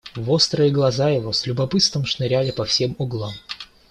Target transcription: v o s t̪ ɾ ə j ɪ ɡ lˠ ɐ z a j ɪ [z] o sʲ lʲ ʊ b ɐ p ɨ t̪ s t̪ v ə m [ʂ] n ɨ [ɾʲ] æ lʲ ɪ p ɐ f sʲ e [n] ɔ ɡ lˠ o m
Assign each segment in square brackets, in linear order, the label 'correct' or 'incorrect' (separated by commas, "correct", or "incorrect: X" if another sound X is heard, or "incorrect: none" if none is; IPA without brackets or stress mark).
incorrect: v, correct, correct, incorrect: m